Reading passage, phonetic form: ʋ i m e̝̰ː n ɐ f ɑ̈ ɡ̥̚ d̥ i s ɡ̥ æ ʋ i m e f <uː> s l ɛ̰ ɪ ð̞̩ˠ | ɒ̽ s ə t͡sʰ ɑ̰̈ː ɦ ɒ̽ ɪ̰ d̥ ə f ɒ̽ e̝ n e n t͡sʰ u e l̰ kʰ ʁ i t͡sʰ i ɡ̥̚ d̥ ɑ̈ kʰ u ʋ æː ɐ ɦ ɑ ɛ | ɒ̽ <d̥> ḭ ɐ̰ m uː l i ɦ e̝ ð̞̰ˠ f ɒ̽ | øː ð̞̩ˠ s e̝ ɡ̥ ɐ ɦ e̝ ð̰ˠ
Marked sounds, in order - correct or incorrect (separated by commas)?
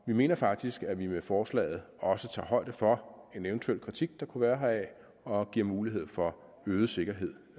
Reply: incorrect, incorrect